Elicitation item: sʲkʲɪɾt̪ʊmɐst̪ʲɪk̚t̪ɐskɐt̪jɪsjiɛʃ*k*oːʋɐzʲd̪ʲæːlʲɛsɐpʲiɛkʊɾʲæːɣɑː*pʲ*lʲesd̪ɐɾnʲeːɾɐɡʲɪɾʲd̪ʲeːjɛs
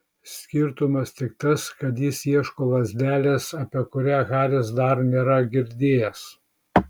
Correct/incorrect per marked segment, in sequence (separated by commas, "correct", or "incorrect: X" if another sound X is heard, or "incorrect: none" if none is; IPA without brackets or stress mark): correct, incorrect: none